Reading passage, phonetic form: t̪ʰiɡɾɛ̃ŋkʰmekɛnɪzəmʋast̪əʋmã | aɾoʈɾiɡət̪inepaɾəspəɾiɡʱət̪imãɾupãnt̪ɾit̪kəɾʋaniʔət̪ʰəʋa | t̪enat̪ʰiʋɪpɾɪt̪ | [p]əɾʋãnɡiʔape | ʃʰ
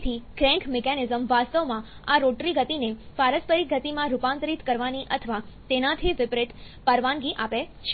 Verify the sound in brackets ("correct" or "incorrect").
correct